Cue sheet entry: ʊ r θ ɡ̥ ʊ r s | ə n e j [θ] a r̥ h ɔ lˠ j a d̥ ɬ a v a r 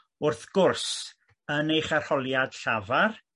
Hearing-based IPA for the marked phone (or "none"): χ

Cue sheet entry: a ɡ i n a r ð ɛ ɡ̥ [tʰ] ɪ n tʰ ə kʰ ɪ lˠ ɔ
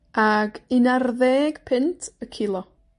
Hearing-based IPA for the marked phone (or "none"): pʰ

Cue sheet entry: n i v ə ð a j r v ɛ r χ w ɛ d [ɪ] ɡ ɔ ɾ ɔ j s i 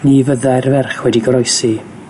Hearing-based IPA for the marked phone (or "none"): i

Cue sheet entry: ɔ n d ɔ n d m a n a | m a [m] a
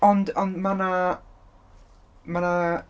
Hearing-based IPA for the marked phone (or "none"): n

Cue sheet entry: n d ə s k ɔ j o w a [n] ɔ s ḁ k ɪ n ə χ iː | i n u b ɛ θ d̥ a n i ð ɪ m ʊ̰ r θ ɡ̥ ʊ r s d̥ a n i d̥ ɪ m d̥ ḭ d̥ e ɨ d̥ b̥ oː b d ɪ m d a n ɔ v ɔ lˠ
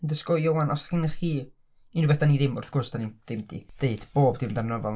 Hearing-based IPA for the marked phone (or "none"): n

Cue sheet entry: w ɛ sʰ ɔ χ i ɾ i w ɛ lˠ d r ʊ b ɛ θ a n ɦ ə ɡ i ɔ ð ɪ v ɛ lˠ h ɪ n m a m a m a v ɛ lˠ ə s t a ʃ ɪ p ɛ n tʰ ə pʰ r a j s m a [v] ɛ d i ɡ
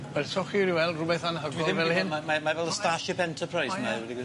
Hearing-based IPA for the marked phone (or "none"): w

